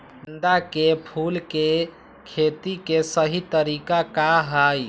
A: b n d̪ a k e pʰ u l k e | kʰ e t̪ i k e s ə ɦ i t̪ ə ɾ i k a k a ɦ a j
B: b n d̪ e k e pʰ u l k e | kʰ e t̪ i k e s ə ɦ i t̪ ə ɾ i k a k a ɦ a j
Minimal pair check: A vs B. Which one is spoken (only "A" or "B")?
A